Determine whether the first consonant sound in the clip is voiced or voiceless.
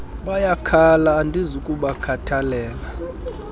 voiced